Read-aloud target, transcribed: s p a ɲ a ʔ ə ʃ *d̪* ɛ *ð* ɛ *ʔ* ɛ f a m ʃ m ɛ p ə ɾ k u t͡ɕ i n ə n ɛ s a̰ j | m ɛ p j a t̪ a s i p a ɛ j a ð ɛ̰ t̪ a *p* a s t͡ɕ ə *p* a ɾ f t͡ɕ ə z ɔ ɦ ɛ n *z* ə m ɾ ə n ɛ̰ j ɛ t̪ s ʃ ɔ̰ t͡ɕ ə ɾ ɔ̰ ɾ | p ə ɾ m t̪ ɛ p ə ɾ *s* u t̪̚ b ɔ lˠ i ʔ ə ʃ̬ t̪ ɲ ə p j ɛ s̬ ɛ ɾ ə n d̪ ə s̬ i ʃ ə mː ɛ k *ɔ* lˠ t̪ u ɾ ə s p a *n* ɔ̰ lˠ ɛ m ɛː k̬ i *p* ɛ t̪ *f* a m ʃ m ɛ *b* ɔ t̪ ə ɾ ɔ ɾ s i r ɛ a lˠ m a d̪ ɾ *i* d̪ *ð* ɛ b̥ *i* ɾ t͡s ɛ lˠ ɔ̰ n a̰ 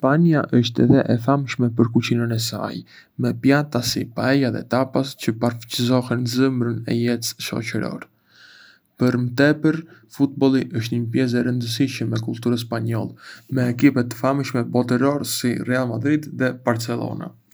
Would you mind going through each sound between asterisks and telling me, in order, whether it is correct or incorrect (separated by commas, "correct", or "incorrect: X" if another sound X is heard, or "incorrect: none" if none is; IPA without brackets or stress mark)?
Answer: incorrect: t̪, correct, correct, correct, correct, correct, incorrect: f, incorrect: u, incorrect: ɲ, correct, correct, correct, correct, correct, incorrect: a